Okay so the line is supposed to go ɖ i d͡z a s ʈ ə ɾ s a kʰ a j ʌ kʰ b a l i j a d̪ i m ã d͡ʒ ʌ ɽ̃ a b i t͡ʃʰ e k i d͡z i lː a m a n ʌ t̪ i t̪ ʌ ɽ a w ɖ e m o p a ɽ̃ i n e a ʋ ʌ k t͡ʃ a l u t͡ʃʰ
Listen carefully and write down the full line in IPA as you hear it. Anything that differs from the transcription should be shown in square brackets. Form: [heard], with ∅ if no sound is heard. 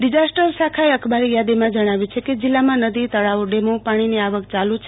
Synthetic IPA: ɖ i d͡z a s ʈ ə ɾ s a kʰ a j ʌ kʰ b a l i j a d̪ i m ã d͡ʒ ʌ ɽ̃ a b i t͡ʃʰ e k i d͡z i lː a m a n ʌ [d̪] i t̪ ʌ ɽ a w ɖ e m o p a ɽ̃ i n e a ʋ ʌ k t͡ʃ a l u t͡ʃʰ